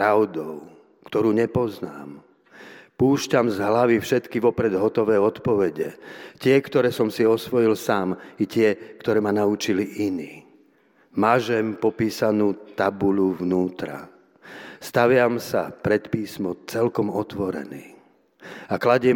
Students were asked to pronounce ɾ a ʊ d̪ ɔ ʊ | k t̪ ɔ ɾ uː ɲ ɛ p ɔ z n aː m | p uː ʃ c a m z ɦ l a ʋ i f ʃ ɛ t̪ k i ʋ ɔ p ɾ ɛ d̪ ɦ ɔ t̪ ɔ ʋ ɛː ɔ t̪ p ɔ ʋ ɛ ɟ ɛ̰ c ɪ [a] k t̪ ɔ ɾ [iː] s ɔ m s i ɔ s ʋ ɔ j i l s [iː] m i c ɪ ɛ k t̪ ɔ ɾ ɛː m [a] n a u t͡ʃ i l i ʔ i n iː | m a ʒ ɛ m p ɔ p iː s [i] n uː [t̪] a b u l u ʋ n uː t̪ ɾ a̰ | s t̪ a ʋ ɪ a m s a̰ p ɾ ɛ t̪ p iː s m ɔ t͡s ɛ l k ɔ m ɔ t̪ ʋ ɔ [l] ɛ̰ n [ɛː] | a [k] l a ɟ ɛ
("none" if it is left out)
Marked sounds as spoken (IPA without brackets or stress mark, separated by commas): ɛ, ɛː, aː, a, a, t̪, ɾ, iː, k